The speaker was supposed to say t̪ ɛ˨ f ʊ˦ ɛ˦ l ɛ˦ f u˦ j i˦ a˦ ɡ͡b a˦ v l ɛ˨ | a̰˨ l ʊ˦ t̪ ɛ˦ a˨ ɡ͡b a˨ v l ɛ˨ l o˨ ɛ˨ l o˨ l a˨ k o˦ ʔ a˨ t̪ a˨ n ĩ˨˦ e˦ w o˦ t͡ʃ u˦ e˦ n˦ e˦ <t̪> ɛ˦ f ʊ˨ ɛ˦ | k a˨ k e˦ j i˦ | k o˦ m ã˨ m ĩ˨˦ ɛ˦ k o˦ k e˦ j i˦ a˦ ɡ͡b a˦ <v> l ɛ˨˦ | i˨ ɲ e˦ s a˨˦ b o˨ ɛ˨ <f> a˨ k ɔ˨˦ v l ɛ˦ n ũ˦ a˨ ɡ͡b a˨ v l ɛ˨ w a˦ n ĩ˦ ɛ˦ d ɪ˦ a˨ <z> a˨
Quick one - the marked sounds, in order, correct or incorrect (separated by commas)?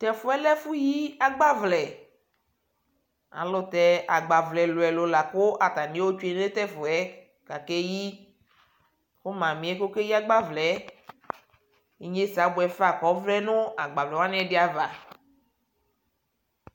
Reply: correct, correct, correct, incorrect